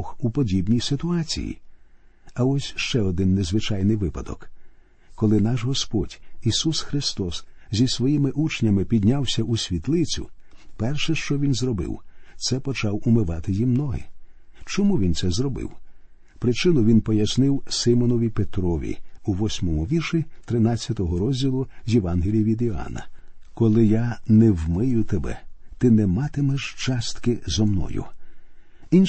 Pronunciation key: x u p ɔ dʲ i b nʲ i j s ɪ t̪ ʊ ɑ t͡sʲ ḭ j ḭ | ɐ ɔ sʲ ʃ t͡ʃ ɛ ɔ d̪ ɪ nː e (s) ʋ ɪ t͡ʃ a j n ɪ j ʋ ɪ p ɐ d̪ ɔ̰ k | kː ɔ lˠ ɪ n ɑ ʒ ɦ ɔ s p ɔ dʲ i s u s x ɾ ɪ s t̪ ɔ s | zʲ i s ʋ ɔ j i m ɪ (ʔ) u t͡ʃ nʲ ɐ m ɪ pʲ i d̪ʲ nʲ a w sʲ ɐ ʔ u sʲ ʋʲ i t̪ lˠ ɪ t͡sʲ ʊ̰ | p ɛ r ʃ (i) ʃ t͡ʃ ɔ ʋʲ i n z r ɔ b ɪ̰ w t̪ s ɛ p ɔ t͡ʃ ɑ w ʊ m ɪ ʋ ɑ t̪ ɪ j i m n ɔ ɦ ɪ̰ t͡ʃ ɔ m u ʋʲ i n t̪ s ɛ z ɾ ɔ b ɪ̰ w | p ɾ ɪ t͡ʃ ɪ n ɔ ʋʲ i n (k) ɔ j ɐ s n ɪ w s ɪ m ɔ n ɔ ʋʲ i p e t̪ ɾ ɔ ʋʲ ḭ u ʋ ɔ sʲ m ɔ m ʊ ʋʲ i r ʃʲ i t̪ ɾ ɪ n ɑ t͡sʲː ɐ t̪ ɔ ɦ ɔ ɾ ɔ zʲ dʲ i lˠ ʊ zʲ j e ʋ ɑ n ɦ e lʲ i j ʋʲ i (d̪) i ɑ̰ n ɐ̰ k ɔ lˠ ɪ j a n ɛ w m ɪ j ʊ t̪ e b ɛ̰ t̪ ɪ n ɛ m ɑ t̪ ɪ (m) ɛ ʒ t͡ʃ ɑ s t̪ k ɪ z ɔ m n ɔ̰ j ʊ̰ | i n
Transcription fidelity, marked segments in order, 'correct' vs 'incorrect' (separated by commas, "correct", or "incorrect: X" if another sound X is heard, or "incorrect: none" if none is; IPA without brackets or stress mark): incorrect: z, correct, incorrect: ɛ, incorrect: p, correct, correct